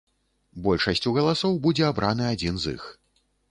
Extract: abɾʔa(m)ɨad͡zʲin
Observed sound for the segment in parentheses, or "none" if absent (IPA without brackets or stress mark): n